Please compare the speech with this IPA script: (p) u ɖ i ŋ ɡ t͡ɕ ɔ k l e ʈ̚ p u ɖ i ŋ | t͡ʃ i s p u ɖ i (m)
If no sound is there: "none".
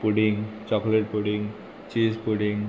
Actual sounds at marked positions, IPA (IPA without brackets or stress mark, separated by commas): p, ŋ